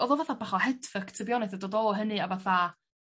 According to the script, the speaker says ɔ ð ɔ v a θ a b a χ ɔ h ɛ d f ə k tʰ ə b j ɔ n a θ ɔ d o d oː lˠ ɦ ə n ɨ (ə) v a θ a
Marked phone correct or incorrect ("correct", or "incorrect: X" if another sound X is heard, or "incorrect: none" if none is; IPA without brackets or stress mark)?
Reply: incorrect: a